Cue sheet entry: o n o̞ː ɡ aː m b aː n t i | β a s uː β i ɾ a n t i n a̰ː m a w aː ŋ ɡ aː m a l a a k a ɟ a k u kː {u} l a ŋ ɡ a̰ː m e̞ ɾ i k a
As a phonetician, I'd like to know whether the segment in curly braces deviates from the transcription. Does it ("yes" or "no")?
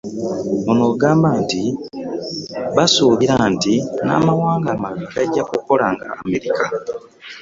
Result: yes